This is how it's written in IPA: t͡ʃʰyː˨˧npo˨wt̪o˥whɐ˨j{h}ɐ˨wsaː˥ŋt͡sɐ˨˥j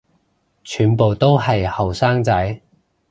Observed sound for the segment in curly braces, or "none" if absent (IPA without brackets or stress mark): h